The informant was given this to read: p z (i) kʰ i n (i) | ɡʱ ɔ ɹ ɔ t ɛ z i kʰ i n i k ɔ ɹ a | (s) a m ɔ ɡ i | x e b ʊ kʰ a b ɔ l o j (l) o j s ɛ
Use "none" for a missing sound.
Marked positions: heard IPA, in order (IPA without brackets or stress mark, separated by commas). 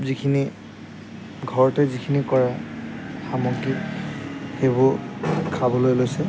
i, i, x, l